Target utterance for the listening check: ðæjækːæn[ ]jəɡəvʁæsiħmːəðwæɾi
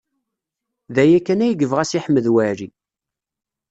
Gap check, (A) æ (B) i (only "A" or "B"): A